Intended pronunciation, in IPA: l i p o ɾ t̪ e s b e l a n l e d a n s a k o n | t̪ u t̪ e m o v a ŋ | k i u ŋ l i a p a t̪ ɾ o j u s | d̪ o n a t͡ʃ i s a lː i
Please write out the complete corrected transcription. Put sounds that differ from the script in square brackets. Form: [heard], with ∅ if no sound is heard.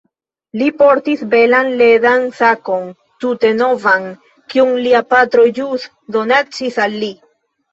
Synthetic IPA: l i p o ɾ t̪ [i] s b e l a n l e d a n s a k o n | t̪ u t̪ e [n] o v a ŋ | k i u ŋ l i a p a t̪ ɾ o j u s | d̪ o n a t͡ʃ i s a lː i